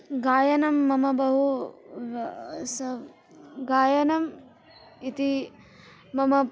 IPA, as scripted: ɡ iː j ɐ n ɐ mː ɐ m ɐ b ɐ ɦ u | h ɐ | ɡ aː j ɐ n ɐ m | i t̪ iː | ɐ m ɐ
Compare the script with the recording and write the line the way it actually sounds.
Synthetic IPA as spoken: ɡ aː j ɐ n ɐ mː ɐ m ɐ b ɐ ɦ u | s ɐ | ɡ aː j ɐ n ɐ m | i t̪ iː | ɐ m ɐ

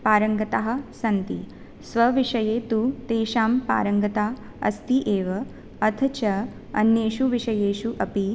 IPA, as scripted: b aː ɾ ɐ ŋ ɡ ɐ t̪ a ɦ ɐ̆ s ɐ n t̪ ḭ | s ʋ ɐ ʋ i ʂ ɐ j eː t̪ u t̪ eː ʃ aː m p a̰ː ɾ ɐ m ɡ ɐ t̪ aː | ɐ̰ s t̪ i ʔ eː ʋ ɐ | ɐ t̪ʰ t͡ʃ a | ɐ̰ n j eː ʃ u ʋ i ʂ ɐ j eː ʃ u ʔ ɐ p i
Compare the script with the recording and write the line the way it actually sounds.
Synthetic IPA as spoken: p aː ɾ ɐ ŋ ɡ ɐ t̪ a ɦ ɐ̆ s ɐ n t̪ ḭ | s ʋ ɐ ʋ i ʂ ɐ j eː t̪ u t̪ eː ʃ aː m p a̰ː ɾ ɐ ŋ ɡ ɐ t̪ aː | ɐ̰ s t̪ i ʔ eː ʋ ɐ | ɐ t̪ʰ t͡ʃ ɐ | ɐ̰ n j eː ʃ u ʋ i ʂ ɐ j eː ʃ u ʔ ɐ p i

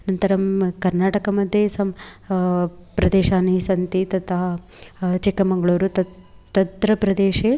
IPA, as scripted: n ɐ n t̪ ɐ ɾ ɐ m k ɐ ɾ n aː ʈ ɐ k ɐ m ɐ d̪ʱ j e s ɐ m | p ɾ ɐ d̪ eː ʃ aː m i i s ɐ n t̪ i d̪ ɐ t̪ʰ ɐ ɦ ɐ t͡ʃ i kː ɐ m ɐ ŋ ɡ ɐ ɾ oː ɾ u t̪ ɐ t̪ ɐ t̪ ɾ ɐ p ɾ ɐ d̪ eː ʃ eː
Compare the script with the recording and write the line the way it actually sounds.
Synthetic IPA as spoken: n ɐ n t̪ ɐ ɾ ɐ m k ɐ ɾ n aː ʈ ɐ k ɐ m ɐ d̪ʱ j e s ɐ m | p ɾ ɐ d̪ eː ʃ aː n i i s ɐ n t̪ i t̪ ɐ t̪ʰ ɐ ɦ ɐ t͡ʃ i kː ɐ m ɐ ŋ ɡ ɐ ɭ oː ɾ u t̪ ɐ t̪ ɐ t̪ ɾ ɐ p ɾ ɐ d̪ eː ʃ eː

